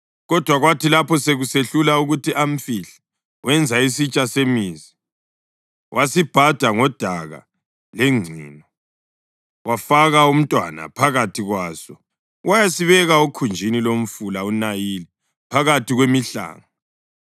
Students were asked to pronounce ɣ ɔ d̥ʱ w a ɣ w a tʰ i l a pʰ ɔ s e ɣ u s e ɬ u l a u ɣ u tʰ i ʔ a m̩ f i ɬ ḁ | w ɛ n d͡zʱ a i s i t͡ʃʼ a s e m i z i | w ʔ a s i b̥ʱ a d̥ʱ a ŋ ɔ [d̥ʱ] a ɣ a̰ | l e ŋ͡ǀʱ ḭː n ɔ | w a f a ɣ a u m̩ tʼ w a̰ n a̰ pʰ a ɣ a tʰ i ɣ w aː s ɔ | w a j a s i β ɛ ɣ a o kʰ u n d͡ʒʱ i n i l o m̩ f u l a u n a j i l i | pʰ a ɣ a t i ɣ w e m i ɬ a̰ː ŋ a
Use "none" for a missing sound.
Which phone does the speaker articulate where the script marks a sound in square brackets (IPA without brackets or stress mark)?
d̥ʱ